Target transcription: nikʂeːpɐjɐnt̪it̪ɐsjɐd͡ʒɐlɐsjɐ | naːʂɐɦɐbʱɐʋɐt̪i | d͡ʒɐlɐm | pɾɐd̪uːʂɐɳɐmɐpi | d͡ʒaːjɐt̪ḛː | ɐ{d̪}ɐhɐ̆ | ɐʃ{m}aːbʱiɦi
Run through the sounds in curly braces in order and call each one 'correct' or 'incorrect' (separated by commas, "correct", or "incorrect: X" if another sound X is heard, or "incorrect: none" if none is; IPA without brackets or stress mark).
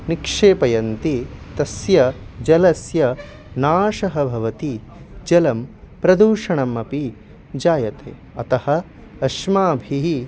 incorrect: t̪, correct